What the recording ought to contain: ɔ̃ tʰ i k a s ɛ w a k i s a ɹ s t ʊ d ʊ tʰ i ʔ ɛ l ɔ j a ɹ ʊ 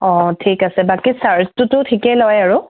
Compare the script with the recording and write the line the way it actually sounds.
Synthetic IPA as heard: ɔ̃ tʰ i k a s ɛ b a k i s a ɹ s t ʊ t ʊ tʰ i k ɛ l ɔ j a ɹ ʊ